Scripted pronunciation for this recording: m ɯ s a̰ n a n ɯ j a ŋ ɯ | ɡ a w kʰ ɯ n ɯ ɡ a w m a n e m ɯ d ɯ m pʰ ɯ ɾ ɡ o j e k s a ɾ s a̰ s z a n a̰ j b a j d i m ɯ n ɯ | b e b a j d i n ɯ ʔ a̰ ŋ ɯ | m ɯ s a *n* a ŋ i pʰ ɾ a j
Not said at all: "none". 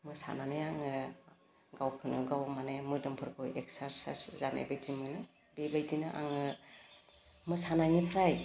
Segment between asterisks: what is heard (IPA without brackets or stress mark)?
n